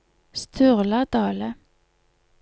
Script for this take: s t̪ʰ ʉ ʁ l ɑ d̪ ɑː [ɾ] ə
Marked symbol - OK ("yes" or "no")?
no